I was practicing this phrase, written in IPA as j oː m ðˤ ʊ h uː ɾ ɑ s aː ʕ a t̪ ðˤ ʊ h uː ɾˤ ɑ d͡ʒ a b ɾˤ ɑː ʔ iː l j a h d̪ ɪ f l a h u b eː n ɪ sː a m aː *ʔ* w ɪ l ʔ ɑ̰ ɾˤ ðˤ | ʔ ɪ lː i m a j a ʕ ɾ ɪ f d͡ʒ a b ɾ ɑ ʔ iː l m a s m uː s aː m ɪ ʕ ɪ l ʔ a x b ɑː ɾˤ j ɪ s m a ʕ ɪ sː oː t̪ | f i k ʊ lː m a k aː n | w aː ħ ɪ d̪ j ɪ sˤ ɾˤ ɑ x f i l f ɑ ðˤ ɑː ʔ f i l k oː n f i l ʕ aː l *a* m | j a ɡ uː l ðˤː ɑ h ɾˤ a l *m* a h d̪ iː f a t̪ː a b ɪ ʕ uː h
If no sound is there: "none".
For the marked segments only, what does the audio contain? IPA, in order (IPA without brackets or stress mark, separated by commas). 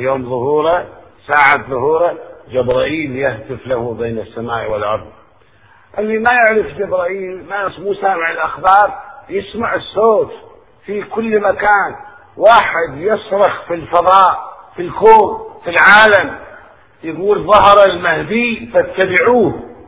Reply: ʔ, a, m